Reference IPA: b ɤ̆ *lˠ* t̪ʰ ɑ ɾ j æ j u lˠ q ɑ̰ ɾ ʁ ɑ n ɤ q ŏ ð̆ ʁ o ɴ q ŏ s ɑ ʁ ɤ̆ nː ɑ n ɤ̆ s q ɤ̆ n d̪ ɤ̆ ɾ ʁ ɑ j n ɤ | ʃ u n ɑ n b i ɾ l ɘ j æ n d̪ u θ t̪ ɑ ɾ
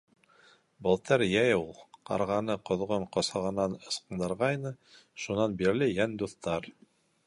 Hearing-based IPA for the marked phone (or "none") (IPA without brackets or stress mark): lˠ